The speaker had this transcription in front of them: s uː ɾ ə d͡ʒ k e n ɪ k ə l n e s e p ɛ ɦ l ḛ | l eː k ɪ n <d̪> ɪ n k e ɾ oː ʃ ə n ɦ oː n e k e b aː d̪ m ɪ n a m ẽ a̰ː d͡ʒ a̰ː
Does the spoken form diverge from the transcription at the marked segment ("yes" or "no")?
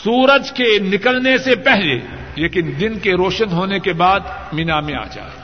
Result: no